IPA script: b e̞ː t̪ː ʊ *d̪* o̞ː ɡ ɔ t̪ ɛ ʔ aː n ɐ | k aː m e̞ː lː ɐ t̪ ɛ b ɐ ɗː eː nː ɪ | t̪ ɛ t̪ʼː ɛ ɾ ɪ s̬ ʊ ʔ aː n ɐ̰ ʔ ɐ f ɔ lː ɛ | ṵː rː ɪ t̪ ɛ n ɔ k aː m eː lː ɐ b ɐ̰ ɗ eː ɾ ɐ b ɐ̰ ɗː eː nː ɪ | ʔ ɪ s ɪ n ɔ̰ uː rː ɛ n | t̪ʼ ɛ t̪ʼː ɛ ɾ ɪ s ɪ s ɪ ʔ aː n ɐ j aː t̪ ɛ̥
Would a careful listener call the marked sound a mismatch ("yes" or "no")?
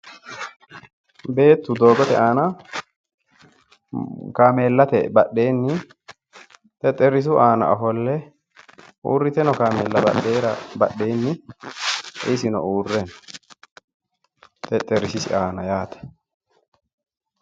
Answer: no